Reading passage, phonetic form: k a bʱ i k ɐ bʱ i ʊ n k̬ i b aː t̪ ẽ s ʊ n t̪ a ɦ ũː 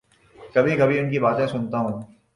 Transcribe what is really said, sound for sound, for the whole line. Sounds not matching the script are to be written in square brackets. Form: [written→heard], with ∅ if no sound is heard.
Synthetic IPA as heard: k [a→ɐ] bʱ i k ɐ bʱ i ʊ n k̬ i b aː t̪ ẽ s ʊ n t̪ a ɦ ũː